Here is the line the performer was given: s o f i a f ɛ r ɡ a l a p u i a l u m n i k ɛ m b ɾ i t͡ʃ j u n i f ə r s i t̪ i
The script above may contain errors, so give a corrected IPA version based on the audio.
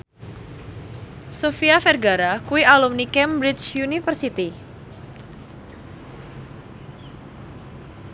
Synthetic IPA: s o f i a f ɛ r ɡ a ɾ a k u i a l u m n i k ɛ m b ɾ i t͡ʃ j u n i f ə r s i t̪ i